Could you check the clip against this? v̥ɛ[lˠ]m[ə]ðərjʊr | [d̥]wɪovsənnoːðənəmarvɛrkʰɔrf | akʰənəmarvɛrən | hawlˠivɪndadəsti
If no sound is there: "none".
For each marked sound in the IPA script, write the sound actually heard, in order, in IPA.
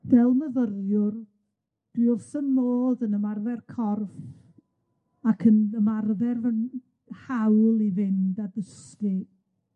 lˠ, ə, d̥

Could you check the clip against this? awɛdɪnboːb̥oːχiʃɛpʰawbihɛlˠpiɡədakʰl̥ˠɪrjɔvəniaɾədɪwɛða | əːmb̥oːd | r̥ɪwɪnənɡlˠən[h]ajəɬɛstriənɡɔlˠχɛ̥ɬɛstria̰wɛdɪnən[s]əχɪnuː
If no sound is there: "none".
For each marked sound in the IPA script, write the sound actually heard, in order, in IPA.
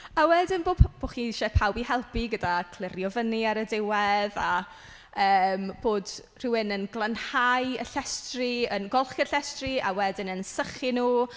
h, s

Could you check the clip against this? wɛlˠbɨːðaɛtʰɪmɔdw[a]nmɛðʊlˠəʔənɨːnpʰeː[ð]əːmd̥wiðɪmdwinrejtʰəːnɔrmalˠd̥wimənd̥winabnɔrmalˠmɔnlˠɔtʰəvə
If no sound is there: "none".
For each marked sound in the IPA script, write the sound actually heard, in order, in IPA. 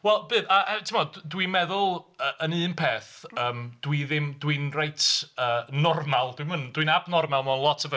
i, θ

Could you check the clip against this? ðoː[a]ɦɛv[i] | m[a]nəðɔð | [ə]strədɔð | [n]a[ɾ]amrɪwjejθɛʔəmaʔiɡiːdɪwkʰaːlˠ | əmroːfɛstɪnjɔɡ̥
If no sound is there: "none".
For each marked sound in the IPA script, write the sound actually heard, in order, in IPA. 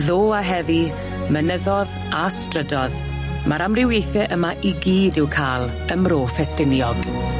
a, i, ə, a, m, ɾ

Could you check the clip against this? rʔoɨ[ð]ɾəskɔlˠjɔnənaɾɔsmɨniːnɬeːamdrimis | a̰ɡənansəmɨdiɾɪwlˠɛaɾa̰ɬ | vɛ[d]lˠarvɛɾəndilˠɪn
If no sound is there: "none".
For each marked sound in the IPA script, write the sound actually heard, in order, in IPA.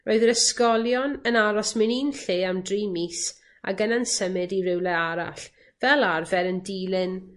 ð, none

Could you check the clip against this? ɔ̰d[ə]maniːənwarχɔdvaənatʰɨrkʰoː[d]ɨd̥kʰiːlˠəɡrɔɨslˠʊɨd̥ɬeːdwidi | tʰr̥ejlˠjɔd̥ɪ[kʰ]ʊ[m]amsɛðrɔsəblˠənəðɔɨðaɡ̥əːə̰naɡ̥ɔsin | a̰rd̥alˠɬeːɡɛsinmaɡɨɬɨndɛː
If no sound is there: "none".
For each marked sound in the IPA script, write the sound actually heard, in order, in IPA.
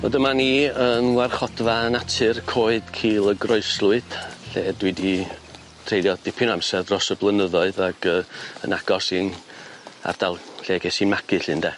ə, none, pʰ, n

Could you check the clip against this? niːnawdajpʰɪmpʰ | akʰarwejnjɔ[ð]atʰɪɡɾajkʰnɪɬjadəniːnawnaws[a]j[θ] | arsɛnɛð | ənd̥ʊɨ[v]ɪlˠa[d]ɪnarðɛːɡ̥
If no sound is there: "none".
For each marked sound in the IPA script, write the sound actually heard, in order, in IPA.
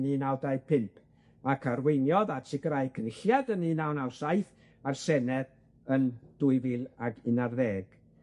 ð, a, θ, v, ɡ

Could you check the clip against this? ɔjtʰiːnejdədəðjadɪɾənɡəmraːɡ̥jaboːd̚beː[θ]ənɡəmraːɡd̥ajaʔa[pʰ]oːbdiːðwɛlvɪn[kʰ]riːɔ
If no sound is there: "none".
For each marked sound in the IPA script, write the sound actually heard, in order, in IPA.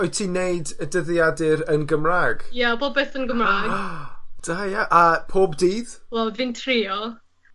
θ, pʰ, tʰ

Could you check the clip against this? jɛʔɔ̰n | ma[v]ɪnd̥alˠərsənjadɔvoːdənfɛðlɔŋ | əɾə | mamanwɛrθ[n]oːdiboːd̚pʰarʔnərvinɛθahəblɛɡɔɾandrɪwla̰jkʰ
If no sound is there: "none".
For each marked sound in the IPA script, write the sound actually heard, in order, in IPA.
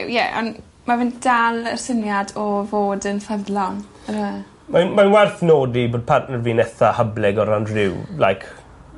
v, n

